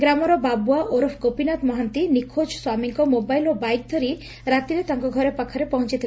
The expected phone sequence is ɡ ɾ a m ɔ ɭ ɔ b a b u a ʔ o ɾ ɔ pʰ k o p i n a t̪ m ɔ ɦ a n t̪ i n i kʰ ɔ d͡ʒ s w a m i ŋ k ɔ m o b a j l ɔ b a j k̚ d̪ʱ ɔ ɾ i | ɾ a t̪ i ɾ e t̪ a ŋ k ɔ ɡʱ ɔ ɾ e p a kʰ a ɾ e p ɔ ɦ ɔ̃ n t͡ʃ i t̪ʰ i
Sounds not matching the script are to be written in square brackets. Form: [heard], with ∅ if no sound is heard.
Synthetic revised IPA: ɡ ɾ a m ɔ [ɾ] ɔ b a b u a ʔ o ɾ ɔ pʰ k o p i n a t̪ m ɔ ɦ a n t̪ i n i kʰ [o] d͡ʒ s w a m i ŋ k ɔ m o b a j l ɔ b a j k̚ d̪ʱ ɔ ɾ i | ɾ a t̪ i ɾ e t̪ a ŋ k ɔ ɡʱ ɔ ɾ e p a kʰ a ɾ e p ɔ ɦ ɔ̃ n t͡ʃ i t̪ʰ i